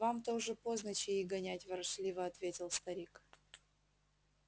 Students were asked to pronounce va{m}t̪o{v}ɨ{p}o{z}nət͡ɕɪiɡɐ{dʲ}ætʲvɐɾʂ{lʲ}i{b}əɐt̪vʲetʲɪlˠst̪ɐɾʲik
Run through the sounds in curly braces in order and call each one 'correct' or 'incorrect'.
correct, incorrect: ʐ, correct, correct, incorrect: nʲ, correct, incorrect: v

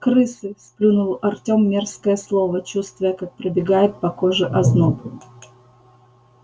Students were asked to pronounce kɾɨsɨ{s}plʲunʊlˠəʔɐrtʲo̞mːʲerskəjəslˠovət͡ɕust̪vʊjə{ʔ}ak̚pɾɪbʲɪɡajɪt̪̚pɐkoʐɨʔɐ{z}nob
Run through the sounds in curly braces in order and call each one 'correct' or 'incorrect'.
correct, incorrect: k, correct

